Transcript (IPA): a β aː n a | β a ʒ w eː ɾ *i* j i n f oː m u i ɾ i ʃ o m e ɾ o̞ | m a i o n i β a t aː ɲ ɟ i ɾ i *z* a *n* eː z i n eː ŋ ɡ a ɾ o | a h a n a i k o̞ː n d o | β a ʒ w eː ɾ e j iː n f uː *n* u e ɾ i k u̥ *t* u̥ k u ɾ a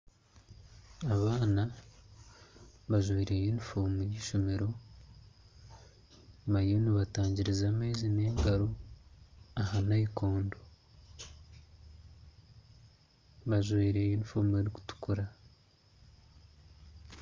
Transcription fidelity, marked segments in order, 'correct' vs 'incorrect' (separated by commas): incorrect, correct, incorrect, incorrect, correct